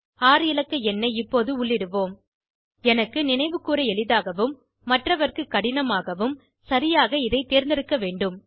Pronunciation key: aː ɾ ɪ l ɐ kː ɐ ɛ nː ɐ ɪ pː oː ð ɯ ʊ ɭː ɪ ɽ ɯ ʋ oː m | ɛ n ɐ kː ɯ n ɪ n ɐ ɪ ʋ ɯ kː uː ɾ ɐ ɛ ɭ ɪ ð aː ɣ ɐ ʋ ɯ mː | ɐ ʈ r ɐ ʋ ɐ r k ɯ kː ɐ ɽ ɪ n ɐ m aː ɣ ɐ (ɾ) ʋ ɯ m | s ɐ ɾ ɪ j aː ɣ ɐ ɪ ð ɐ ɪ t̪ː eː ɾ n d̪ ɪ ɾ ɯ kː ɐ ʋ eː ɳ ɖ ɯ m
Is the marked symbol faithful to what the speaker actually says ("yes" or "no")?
no